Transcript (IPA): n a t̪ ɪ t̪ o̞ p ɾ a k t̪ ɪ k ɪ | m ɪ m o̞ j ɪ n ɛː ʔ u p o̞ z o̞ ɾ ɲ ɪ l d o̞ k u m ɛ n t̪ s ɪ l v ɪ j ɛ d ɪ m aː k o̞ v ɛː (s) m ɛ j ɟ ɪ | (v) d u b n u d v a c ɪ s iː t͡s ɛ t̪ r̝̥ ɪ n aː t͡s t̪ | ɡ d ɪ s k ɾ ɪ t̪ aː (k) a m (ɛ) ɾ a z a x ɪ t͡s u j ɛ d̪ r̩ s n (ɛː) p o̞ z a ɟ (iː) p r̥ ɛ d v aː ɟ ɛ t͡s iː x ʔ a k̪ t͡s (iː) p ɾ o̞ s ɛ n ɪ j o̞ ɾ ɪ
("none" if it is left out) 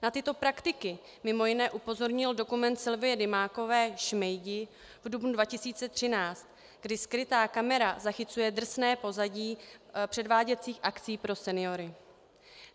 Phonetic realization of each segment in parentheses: ʃ, v, k, ɛ, ɛː, iː, iː

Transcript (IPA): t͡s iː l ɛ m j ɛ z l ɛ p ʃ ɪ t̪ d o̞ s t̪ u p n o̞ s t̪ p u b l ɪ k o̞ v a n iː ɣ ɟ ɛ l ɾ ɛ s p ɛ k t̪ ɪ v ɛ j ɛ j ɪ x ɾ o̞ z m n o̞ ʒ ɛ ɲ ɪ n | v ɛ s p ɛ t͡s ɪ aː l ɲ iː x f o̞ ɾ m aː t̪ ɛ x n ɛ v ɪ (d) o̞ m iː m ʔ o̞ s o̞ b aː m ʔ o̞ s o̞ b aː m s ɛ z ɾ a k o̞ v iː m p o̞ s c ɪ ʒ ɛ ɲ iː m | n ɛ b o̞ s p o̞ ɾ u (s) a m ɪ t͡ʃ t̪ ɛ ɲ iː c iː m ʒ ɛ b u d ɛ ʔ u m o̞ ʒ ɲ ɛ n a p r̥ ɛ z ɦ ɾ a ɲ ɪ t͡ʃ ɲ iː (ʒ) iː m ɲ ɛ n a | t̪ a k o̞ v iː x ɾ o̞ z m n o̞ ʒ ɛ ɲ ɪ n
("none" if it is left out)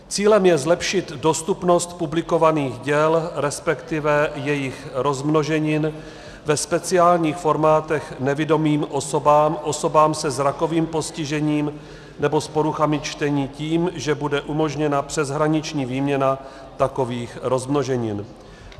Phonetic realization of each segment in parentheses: d, x, v

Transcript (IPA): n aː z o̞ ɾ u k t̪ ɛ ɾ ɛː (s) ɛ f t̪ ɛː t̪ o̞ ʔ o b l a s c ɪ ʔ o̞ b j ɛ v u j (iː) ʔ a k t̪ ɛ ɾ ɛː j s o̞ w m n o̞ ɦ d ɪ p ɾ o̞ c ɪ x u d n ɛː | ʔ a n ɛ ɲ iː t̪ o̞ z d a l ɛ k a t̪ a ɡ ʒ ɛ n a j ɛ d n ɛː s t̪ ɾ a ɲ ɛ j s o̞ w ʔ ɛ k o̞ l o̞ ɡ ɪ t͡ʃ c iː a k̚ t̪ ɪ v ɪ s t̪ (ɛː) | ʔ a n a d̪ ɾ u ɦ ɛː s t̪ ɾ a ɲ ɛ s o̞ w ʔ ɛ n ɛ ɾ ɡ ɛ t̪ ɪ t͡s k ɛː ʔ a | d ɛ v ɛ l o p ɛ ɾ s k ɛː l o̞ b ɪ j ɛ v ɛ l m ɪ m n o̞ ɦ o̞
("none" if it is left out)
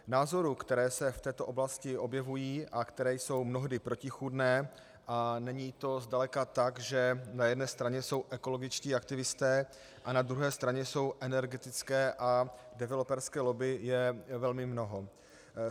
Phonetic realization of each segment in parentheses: s, iː, ɛː

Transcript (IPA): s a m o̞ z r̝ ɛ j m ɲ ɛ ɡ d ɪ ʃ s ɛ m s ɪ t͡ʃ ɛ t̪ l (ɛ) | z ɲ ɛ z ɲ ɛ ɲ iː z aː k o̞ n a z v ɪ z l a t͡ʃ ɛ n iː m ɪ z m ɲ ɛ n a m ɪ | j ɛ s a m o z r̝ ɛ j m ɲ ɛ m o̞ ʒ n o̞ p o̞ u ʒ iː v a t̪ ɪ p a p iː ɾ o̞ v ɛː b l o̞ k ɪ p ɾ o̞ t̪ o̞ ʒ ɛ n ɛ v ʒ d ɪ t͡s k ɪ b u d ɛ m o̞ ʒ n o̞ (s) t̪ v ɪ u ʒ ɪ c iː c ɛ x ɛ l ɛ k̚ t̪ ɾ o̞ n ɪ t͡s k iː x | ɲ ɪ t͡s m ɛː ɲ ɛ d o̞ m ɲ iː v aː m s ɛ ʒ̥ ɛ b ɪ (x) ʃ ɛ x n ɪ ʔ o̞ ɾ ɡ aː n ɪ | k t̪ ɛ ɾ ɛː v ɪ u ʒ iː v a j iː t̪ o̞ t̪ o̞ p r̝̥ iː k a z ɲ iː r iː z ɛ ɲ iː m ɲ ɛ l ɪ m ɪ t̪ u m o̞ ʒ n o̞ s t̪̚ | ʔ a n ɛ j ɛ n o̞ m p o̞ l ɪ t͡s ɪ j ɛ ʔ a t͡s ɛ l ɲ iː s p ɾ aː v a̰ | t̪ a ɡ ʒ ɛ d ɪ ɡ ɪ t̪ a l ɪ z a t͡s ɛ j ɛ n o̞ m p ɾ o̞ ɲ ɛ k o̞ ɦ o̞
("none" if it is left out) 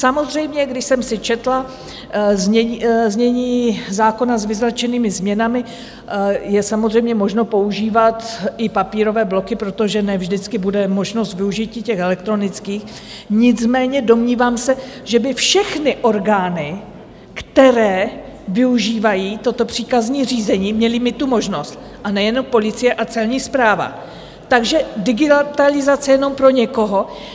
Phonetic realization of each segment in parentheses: a, s, f

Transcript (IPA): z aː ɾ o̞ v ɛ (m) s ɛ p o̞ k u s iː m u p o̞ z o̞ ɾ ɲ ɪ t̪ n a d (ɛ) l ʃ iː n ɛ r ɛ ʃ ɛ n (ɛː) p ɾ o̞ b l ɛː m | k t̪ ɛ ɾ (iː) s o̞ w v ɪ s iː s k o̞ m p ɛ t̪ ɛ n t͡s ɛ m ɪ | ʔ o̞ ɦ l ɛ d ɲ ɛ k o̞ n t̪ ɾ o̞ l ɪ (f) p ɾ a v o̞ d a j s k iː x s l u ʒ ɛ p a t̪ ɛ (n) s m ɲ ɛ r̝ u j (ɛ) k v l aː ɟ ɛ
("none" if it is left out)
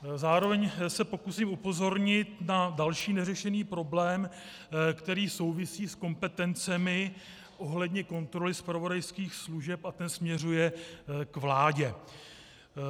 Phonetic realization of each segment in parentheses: ɲ, a, iː, iː, s, n, ɛ

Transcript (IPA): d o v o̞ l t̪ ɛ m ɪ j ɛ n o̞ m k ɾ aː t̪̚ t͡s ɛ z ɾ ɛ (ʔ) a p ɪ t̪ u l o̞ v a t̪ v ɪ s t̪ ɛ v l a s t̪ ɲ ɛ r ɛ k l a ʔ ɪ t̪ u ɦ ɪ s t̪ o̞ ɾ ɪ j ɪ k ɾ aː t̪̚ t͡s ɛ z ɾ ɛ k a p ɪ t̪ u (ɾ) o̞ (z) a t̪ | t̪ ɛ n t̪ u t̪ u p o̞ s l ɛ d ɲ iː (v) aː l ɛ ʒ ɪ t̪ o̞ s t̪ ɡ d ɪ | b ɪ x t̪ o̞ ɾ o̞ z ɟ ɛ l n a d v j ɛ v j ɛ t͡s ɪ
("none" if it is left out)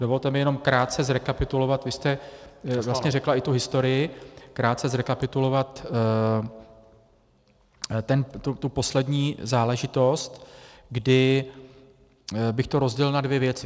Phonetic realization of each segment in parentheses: k, l, v, z

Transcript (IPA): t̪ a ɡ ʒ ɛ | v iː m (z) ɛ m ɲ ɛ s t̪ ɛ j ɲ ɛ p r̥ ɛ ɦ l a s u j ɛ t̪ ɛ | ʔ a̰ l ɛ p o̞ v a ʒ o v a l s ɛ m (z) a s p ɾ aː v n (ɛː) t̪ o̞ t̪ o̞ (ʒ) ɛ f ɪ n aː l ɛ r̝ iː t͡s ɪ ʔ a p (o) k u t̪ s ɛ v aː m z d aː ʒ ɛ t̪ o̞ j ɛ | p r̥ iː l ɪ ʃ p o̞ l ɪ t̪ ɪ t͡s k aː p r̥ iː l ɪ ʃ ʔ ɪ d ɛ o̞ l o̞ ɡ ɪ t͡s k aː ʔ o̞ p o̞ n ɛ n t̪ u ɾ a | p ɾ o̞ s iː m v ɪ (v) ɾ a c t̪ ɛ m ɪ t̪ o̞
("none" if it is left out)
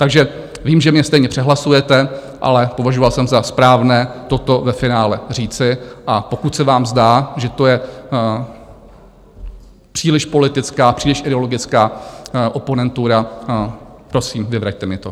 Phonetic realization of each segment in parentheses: ʒ, z, ɛː, v, o, v

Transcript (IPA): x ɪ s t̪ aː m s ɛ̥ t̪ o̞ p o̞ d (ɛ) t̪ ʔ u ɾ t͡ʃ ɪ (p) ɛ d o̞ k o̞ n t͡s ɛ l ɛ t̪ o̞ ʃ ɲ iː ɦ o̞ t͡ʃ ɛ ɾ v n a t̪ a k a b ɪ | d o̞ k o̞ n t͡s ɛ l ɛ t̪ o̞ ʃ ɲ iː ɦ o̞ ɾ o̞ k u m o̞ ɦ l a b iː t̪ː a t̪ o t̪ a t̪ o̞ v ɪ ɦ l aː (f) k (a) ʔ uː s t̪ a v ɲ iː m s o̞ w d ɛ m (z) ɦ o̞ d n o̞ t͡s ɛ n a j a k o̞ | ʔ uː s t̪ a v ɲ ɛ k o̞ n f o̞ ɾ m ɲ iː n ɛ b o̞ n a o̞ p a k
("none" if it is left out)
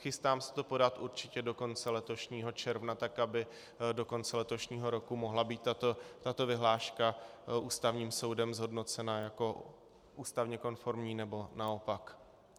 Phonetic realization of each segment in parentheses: a, c, ʃ, a, z

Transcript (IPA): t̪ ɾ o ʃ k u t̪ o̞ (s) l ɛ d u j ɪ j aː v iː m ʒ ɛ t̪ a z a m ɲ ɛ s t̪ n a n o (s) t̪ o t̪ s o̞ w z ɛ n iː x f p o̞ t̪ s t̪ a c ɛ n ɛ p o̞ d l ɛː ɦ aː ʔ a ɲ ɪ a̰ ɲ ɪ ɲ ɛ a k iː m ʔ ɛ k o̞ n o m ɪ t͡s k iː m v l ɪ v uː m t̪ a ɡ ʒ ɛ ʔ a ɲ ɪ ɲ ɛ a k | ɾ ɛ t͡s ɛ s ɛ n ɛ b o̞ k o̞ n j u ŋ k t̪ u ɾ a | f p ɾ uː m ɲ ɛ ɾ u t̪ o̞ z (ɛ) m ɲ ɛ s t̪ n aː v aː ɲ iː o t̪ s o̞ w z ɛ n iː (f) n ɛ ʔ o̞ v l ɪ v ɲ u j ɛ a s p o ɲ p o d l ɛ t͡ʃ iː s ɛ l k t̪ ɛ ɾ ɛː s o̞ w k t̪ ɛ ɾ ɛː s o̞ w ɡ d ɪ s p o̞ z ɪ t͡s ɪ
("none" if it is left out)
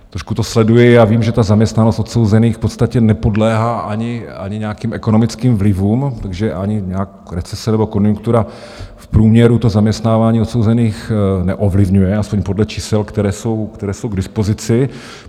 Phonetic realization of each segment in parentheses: s, s, a, x

